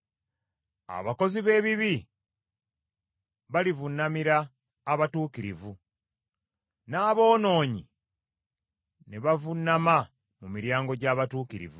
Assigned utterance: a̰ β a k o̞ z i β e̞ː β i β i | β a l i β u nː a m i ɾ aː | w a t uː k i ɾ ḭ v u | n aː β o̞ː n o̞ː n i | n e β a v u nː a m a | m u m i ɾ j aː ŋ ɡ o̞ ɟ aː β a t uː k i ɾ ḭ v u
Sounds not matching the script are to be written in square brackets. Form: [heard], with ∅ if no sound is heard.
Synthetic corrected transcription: a̰ β a k o̞ z i β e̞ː β i β i | β a l i [v] u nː a m i ɾ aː | [β] a t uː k i ɾ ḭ v u | n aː β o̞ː n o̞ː [ɲ] i | n e β a v u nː a m a | m u m i ɾ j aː ŋ ɡ o̞ ɟ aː β a t uː k i ɾ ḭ v u